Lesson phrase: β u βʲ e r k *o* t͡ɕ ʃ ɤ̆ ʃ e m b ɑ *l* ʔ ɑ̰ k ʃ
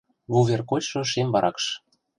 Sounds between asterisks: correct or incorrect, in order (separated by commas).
correct, incorrect